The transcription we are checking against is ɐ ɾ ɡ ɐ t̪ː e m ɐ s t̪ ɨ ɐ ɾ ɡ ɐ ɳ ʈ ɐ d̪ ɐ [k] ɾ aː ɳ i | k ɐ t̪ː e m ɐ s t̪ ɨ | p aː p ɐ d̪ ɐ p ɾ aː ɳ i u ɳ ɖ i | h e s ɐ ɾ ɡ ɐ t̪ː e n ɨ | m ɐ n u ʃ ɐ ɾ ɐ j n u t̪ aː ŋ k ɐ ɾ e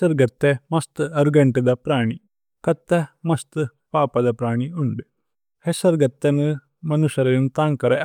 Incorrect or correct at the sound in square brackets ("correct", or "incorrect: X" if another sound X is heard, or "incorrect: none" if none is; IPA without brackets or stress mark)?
incorrect: p